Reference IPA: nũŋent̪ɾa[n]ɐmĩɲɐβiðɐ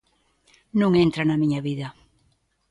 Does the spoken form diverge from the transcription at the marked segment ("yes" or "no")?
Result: no